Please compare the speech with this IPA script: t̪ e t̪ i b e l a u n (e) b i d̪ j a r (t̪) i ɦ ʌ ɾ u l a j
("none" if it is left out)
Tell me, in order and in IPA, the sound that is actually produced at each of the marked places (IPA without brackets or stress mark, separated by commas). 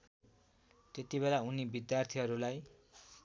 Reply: i, t̪ʰ